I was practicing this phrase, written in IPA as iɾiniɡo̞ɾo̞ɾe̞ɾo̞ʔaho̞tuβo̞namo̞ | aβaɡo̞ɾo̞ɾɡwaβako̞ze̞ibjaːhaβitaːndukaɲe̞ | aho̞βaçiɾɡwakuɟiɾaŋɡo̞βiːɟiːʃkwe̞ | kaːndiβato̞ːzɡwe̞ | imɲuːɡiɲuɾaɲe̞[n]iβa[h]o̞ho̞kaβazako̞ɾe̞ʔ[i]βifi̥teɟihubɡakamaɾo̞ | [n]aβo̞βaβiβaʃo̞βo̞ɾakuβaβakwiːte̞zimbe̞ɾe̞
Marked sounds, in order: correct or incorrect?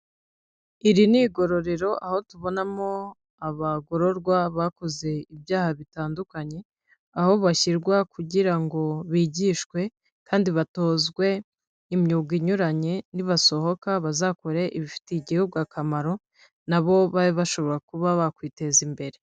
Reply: correct, incorrect: s, correct, correct

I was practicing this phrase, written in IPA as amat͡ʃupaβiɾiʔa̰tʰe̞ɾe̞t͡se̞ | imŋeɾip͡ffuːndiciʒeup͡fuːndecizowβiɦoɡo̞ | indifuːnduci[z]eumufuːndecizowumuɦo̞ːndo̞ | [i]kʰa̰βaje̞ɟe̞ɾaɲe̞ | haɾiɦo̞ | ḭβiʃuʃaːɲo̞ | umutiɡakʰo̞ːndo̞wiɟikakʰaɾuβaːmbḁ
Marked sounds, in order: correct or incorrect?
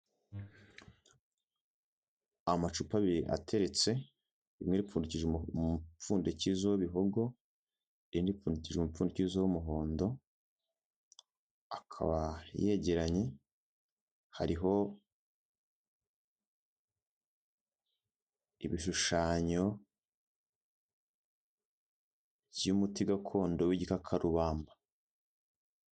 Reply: incorrect: ʒ, incorrect: a

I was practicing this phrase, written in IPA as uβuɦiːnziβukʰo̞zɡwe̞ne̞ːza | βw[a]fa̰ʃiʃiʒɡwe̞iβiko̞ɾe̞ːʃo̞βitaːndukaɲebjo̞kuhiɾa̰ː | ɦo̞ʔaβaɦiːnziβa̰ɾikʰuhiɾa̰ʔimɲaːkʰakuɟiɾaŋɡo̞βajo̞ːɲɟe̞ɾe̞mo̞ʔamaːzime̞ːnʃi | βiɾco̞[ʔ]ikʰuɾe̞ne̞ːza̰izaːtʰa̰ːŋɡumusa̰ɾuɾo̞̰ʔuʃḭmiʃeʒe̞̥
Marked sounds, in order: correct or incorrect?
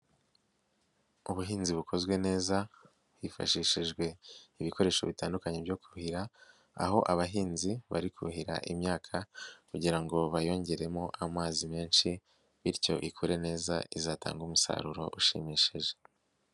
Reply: incorrect: i, correct

